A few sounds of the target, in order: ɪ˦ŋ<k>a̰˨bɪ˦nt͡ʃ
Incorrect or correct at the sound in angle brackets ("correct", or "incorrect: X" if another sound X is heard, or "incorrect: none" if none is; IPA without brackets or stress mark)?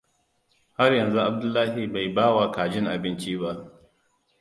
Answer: incorrect: ʔ